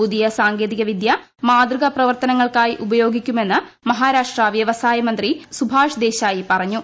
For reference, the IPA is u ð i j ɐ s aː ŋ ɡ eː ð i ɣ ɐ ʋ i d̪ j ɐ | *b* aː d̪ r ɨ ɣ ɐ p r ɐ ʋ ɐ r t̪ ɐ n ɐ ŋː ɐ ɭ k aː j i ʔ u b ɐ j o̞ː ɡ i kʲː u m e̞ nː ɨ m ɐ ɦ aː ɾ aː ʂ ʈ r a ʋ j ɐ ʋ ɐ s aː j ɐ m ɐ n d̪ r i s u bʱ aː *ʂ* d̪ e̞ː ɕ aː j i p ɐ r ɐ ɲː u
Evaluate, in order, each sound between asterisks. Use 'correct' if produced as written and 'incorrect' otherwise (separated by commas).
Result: incorrect, correct